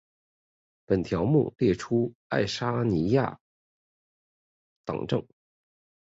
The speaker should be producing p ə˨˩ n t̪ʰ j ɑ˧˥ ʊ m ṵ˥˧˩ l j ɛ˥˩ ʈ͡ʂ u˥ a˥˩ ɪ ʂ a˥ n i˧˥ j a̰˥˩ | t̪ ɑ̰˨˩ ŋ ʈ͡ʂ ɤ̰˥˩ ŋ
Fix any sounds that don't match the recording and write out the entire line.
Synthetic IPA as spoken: p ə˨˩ n t̪ʰ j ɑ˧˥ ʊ m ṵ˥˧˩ l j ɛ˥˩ ʈ͡ʂʰ u˥ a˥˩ ɪ ʂ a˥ n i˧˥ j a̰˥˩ | t̪ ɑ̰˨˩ ŋ ʈ͡ʂ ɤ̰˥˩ ŋ